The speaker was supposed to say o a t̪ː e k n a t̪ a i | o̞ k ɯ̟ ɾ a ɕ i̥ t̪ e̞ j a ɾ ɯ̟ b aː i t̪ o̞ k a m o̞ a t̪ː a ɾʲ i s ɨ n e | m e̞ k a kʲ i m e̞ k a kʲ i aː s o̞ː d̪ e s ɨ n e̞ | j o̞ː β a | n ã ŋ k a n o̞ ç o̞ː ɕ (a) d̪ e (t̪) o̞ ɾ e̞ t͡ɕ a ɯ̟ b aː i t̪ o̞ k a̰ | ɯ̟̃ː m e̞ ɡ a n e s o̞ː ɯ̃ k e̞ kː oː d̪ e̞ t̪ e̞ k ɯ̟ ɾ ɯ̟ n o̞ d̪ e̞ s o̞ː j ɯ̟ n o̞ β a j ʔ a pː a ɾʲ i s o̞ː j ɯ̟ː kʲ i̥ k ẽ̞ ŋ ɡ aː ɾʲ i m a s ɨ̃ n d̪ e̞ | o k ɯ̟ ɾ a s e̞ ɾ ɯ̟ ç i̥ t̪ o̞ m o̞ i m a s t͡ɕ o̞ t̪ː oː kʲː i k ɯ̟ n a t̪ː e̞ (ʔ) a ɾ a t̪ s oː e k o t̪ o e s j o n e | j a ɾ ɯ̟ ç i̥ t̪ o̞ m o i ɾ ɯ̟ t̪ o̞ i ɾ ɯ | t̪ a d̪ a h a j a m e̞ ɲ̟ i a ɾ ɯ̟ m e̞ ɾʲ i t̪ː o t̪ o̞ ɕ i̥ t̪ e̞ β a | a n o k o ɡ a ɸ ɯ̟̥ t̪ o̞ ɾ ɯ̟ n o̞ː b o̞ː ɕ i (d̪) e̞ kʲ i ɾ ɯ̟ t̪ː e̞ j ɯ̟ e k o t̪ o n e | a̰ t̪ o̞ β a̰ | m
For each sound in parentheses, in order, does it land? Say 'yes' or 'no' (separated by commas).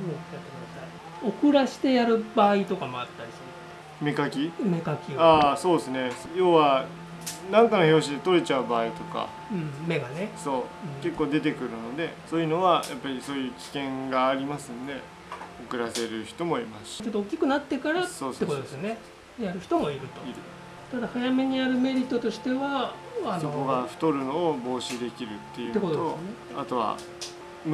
no, yes, no, yes